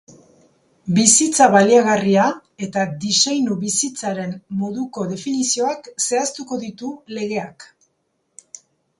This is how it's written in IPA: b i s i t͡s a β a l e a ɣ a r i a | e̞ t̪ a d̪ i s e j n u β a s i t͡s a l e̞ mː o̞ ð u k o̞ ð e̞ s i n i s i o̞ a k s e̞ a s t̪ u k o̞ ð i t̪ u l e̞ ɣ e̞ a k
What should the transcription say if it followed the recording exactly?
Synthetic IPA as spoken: b i s i t͡s a β a l i a ɣ a r i a | e̞ t̪ a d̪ i s e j n u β i s i t͡s a ɾ e̞ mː o̞ ð u k o̞ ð e̞ f i n i s i o̞ a k s e̞ a s t̪ u k o̞ ð i t̪ u l e̞ ɣ e̞ a k